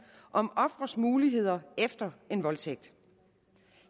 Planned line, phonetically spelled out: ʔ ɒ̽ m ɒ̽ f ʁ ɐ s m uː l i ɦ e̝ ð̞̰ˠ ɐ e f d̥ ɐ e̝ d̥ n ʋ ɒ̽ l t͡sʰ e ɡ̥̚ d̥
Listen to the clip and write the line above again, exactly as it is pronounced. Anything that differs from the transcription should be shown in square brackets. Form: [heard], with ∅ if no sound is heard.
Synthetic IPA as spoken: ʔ ɒ̽ m ɒ̽ f ʁ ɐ s m uː l i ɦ e̝ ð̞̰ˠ ɐ e f d̥ ɐ e̝ [∅] n ʋ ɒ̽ l t͡sʰ e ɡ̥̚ d̥